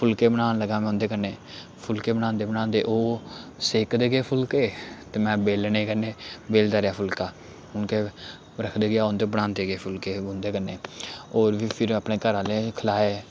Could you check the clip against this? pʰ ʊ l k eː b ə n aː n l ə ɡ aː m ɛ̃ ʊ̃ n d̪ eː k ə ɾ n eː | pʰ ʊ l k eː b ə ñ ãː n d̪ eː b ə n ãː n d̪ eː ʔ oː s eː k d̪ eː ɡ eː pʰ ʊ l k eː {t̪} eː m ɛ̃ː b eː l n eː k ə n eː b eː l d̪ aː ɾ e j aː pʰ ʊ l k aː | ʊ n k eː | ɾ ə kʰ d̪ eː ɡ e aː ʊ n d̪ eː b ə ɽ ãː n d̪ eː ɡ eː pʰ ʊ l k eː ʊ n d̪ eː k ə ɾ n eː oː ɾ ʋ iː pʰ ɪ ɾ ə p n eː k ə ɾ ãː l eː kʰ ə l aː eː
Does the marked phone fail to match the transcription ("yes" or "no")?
no